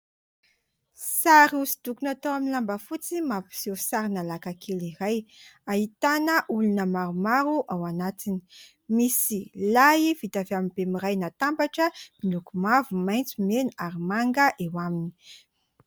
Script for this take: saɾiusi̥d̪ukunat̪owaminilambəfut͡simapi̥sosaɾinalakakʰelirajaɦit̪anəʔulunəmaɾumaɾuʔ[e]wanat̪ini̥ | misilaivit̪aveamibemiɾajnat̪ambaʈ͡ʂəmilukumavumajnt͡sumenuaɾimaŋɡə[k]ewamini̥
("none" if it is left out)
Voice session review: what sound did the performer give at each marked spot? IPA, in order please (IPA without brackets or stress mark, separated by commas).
a, ʔ